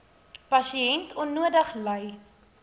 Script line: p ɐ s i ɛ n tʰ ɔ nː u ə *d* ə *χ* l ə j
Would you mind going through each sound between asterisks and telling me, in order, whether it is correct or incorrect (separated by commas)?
correct, correct